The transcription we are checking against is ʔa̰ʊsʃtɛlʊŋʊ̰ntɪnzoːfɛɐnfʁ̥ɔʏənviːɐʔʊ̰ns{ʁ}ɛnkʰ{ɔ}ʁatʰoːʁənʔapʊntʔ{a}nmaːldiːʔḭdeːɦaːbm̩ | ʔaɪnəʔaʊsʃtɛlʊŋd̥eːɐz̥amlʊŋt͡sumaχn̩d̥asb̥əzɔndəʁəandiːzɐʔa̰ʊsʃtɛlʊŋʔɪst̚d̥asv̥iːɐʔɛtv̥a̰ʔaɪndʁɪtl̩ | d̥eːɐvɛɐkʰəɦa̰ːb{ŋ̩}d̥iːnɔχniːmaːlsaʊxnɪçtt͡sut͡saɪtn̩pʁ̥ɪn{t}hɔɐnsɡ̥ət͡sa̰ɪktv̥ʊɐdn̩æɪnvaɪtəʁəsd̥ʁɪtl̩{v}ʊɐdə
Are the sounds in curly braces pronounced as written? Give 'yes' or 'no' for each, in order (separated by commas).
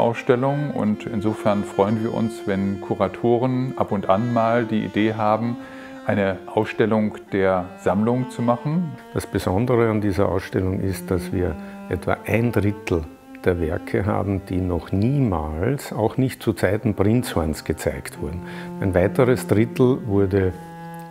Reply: no, no, yes, no, no, yes